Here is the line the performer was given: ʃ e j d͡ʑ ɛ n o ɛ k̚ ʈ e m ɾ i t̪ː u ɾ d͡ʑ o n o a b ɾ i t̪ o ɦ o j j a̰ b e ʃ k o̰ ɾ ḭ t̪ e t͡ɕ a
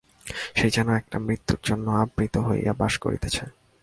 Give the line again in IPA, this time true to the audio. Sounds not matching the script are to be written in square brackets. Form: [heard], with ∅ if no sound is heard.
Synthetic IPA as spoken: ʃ e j d͡ʑ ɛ n o ɛ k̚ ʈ [a] m ɾ i t̪ː u ɾ d͡ʑ o [nː] o a b ɾ i t̪ o ɦ o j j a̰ b [a] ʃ k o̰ ɾ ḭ t̪ e [t͡ɕʰ] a